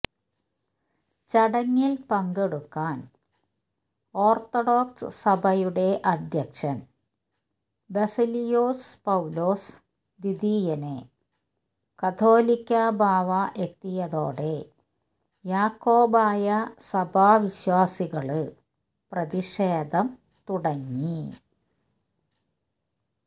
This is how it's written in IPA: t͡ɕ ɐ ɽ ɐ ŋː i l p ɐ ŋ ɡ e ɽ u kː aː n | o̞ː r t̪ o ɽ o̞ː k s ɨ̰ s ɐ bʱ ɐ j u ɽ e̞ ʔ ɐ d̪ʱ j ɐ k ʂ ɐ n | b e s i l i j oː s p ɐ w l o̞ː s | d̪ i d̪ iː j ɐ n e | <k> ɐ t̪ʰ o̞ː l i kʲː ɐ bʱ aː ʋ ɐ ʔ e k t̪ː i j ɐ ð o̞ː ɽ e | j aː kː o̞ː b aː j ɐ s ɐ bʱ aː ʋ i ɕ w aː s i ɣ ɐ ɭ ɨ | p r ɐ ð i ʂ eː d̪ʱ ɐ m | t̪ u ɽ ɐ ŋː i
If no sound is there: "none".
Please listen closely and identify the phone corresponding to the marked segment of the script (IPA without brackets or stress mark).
k